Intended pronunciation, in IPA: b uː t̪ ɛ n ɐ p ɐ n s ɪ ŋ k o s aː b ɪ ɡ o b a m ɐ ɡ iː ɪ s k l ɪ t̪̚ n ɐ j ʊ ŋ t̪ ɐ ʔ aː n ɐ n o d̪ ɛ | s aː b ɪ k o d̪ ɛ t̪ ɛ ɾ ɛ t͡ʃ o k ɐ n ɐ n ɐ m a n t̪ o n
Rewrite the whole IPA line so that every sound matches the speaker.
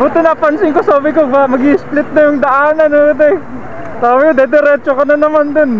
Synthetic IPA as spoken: b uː t̪ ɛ n ɐ p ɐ n s ɪ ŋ k o s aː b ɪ k o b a m ɐ ɡ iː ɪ s p l ɪ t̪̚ n ɐ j ʊ ŋ d̪ ɐ ʔ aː n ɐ n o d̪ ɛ | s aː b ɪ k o d̪ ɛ d̪ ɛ ɾ ɛ t͡ʃ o k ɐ n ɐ n ɐ m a n d̪ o n